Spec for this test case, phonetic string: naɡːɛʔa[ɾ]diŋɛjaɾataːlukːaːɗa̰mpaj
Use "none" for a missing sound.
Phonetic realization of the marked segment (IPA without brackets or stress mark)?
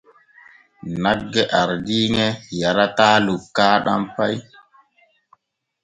ɾ